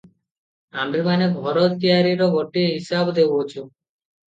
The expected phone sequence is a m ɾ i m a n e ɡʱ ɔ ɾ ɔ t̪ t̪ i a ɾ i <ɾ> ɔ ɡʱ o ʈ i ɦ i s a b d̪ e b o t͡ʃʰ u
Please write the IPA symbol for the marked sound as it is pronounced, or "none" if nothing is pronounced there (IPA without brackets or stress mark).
ɾ